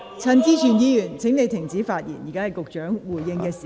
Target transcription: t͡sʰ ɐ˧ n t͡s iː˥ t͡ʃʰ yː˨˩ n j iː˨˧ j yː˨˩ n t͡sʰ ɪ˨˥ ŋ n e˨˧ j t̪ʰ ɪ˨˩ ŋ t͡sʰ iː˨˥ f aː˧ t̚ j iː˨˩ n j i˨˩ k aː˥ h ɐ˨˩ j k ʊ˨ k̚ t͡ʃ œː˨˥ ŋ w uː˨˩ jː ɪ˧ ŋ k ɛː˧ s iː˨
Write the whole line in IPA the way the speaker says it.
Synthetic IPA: t͡sʰ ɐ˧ n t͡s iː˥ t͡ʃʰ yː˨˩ n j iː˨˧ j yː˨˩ n t͡sʰ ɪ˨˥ ŋ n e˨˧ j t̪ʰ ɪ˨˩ ŋ t͡s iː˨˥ f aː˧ t̚ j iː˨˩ n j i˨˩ k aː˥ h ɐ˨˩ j k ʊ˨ k̚ t͡ʃ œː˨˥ ŋ w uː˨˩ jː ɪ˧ ŋ k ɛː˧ s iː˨